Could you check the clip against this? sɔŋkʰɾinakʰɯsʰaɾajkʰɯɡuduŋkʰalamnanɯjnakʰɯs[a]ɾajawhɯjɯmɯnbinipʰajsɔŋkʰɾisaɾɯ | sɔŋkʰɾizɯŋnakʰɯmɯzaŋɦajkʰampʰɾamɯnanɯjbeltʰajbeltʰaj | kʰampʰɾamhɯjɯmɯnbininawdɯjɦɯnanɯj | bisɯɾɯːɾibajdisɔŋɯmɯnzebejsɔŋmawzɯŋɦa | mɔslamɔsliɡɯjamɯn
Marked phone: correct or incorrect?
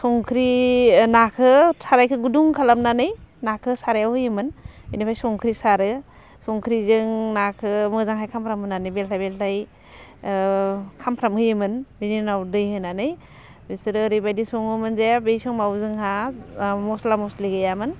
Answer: correct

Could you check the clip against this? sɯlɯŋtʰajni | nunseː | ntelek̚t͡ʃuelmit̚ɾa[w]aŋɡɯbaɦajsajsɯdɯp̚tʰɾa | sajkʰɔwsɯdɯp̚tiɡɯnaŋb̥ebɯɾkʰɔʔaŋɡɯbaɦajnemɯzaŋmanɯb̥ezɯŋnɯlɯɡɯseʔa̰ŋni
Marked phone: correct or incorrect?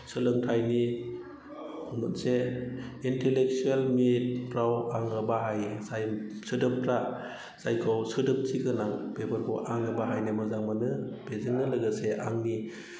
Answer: correct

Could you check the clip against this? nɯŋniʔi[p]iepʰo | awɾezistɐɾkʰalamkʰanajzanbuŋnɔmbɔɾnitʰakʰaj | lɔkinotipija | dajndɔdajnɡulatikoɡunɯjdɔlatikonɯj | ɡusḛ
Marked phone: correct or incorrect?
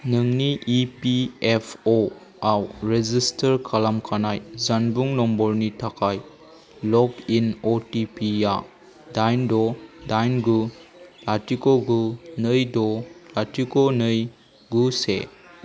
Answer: correct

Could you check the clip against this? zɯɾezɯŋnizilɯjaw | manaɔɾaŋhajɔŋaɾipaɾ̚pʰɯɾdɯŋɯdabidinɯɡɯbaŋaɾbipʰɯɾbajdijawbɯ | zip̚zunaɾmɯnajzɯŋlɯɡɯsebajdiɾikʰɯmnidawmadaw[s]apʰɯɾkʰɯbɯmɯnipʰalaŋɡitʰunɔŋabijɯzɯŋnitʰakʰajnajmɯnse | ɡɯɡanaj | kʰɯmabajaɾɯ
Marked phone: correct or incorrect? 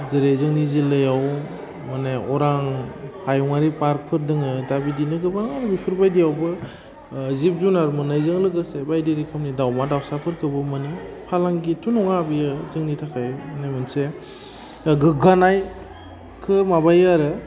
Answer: correct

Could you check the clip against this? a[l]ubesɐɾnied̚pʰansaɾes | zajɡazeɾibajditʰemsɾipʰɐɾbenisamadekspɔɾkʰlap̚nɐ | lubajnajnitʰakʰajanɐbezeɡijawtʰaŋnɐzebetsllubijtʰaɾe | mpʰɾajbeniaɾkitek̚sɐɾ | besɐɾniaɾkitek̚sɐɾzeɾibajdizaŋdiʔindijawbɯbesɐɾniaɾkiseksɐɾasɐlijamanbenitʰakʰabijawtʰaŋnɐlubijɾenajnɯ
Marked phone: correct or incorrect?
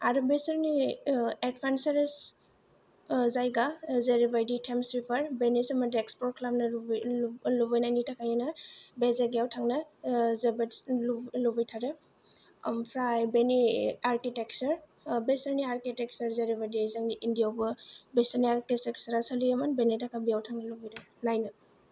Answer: incorrect: ɾ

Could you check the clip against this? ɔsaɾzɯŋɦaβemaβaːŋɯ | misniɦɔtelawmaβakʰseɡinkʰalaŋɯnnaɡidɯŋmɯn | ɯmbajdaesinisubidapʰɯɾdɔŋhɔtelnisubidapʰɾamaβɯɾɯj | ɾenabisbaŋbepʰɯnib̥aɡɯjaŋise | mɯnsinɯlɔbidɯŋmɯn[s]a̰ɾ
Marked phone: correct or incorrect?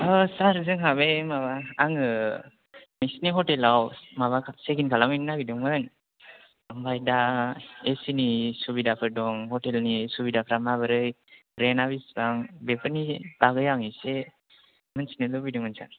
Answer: correct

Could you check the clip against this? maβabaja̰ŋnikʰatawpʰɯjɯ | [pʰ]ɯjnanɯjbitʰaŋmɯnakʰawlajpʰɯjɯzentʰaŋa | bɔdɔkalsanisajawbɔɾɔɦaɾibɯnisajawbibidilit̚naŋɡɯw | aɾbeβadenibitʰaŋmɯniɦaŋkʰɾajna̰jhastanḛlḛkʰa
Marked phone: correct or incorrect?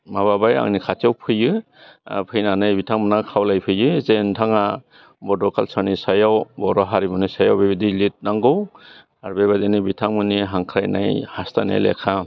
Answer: correct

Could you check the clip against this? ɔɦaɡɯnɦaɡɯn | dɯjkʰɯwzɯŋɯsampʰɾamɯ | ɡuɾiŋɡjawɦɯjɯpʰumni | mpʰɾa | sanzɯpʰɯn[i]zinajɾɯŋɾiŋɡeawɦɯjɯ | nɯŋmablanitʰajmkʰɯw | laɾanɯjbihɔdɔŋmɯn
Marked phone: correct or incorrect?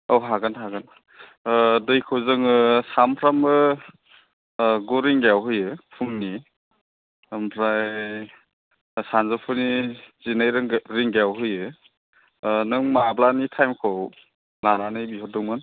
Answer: correct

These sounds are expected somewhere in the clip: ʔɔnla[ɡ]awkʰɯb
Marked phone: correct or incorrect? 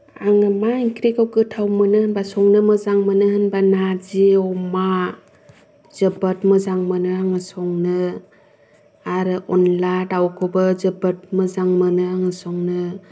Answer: incorrect: d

